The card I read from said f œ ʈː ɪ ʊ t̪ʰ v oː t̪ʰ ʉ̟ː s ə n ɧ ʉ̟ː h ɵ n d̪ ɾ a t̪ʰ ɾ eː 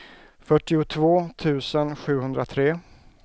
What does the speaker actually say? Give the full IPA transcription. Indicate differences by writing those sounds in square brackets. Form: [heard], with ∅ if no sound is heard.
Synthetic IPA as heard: f œ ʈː ɪ ʊ t̪ʰ v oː t̪ʰ ʉ̟ː s ə n ɧ ʉ̟ː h ɵ n d̪ ɾ a t̪ʰ ɾ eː